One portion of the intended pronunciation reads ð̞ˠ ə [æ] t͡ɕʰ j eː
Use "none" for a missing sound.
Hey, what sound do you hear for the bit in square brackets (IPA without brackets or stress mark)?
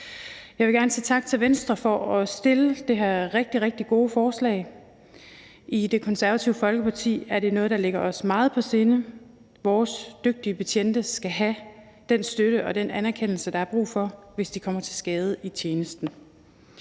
i